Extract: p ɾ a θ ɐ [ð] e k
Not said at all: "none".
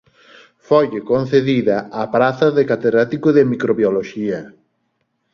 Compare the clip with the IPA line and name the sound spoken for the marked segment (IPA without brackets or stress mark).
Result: ð